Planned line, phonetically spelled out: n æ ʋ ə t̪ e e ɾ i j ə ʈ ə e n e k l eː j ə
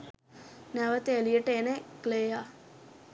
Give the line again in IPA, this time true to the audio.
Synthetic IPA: n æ ʋ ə t̪ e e l i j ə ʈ ə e n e k l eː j a

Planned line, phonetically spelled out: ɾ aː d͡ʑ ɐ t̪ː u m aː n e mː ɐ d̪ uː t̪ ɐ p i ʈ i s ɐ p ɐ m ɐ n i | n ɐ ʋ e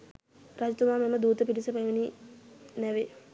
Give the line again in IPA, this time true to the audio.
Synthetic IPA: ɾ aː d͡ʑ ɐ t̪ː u m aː m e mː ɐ d̪ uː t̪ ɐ p i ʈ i s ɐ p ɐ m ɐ n i | n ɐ ʋ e

